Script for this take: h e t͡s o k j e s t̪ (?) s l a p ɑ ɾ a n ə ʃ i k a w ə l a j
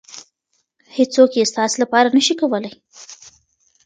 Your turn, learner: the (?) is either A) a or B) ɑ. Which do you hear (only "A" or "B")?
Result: B